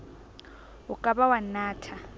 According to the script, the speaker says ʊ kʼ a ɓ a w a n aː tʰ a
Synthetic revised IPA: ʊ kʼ a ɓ a w a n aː tʰ a